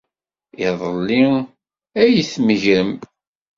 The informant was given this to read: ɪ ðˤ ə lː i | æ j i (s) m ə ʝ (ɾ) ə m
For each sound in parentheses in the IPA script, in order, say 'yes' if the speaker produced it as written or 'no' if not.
no, yes

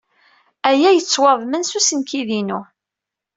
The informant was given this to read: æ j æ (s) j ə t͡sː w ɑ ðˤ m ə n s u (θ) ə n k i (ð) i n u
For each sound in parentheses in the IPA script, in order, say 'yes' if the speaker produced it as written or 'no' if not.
no, no, yes

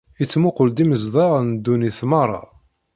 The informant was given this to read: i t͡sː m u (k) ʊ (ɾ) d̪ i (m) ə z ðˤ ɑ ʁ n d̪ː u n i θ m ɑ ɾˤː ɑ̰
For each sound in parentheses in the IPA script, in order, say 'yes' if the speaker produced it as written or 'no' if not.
no, no, yes

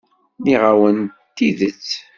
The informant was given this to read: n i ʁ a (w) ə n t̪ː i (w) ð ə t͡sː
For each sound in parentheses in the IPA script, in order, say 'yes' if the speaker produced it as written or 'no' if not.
yes, no

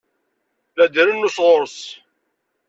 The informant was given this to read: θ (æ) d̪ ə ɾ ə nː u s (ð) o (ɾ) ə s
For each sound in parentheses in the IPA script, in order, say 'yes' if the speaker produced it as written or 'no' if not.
yes, no, yes

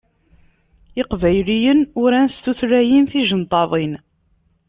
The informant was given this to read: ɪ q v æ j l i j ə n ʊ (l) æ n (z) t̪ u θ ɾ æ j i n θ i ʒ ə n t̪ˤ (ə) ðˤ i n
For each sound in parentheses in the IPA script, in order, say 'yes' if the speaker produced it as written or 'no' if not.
no, no, no

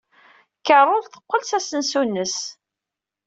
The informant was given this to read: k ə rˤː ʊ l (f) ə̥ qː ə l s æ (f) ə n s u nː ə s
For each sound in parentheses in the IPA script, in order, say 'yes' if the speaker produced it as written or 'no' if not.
no, no

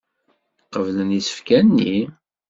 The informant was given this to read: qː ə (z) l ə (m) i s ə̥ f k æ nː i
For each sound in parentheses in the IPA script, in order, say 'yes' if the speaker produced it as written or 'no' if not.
no, no

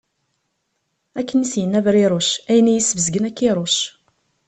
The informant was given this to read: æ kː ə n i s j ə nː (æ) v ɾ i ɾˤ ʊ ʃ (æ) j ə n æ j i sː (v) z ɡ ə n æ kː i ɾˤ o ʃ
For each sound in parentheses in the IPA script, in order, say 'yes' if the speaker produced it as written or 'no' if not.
yes, yes, yes

